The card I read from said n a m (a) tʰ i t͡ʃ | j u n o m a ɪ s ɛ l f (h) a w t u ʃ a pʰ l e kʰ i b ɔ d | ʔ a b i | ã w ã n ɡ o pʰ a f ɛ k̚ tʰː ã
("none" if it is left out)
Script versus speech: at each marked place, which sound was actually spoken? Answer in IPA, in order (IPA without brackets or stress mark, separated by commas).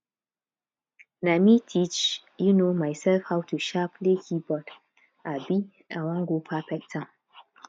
i, h